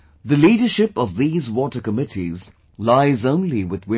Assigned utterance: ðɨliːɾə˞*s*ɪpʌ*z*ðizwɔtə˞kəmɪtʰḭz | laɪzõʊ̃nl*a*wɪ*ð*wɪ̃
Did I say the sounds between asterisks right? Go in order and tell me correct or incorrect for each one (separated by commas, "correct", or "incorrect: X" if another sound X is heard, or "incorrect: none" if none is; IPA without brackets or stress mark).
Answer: incorrect: ʃ, incorrect: v, incorrect: i, correct